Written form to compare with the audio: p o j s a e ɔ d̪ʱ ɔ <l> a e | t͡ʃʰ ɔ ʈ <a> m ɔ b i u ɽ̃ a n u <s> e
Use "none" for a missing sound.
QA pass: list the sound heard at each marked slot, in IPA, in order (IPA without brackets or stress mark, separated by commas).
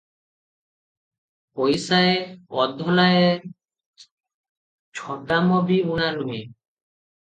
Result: l, a, none